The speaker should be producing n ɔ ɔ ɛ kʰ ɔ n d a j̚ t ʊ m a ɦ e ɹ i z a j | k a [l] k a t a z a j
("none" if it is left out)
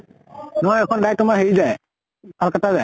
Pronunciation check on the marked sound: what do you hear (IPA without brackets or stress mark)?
l